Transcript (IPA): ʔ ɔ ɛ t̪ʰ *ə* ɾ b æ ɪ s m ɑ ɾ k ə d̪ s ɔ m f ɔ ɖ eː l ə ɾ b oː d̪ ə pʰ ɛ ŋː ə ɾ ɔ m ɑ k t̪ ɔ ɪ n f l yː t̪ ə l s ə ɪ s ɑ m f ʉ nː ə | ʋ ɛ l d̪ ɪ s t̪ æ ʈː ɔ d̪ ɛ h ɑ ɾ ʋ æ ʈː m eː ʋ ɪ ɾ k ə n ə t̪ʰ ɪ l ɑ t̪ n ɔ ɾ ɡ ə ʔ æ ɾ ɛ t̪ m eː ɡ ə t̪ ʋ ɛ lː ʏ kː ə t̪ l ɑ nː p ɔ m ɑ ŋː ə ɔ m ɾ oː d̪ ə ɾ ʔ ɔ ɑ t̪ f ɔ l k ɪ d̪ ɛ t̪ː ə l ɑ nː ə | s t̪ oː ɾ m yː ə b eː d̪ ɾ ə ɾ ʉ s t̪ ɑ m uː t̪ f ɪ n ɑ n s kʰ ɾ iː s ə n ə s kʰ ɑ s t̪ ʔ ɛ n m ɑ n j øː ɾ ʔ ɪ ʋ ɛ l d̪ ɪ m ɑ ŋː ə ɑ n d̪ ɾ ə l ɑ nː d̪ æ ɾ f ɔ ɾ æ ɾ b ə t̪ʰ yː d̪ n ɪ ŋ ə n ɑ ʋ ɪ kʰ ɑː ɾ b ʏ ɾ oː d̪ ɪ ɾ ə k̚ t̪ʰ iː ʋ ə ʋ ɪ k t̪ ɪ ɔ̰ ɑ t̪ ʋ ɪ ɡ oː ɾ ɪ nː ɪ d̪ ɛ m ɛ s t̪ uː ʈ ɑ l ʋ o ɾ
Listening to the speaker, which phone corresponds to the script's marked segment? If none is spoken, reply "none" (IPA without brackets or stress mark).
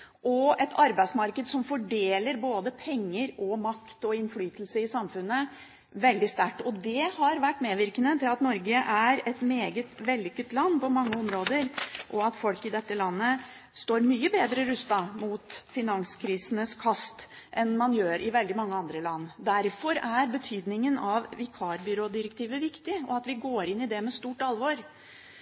ɑ